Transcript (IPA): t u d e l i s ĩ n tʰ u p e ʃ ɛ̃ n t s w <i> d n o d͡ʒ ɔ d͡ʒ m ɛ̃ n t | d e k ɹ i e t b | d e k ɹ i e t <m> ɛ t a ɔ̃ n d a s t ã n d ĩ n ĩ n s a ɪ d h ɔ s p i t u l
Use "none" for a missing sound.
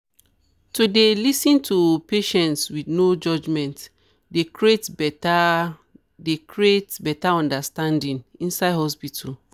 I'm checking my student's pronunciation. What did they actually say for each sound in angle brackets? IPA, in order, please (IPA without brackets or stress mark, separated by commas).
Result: i, b